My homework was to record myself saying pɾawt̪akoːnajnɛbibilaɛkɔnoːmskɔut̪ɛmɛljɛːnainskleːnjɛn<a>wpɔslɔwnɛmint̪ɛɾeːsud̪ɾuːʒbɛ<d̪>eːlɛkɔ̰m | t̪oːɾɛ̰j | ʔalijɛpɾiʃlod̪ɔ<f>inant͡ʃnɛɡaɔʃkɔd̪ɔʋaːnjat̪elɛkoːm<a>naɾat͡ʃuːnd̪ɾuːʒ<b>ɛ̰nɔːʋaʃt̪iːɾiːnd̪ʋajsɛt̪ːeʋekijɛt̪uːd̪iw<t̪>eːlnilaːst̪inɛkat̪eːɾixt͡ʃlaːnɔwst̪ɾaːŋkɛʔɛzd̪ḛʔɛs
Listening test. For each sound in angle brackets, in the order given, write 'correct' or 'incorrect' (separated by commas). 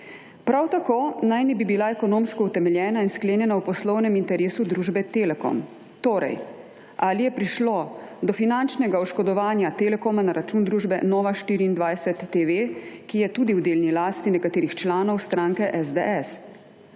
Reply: correct, incorrect, correct, correct, correct, incorrect